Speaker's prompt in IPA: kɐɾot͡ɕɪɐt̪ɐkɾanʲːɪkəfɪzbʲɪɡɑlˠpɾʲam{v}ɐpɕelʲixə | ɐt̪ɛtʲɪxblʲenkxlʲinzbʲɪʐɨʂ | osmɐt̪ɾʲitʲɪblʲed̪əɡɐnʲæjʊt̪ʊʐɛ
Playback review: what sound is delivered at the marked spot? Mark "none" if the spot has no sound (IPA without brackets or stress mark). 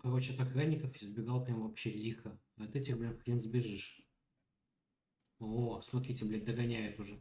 v